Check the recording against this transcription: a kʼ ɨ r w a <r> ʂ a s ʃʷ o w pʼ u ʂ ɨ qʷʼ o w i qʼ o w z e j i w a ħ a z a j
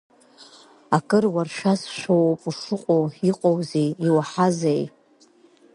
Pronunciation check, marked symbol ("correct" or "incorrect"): correct